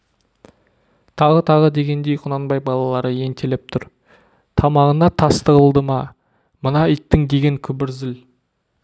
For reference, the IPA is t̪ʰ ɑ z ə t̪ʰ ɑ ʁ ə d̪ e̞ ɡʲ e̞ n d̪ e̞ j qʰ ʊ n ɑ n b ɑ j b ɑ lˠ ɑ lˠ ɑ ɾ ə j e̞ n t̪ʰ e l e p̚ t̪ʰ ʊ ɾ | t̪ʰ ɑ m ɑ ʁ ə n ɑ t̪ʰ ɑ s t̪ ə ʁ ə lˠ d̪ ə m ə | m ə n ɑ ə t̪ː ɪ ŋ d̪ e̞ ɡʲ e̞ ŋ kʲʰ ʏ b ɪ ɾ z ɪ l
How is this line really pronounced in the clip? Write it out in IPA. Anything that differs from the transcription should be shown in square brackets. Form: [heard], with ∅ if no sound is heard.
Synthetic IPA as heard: t̪ʰ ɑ [ʁ] ə t̪ʰ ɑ ʁ ə d̪ e̞ ɡʲ e̞ n d̪ e̞ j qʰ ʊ n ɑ n b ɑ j b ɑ lˠ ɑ lˠ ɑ ɾ ə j e̞ n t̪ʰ e l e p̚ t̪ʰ ʊ ɾ | t̪ʰ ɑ m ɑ ʁ ə n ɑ t̪ʰ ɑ s t̪ ə ʁ ə lˠ d̪ ə m [ɑ] | m ə n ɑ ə t̪ː ɪ ŋ d̪ e̞ ɡʲ e̞ ŋ kʲʰ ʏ b ɪ ɾ z ɪ l